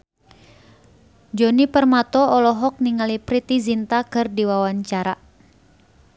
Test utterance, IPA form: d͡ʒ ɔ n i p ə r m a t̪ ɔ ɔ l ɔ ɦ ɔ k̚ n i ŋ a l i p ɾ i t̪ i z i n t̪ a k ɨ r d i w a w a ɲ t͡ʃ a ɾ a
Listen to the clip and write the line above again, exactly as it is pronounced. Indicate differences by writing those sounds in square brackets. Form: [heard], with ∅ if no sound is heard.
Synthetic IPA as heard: d͡ʒ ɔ n i p ə r m a t̪ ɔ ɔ l ɔ ɦ ɔ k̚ n i ŋ a l i p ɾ i t̪ i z i n t̪ a k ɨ r d i w a w a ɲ t͡ʃ a ɾ a